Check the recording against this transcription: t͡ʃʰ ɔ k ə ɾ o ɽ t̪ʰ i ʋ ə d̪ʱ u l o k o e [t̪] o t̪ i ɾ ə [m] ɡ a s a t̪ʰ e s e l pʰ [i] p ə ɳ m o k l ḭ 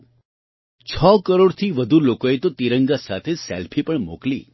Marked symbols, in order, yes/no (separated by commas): yes, no, yes